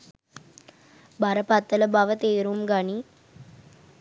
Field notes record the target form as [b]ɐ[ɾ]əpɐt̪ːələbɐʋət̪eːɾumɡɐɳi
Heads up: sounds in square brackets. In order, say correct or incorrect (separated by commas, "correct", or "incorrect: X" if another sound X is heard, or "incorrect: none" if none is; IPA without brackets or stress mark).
correct, correct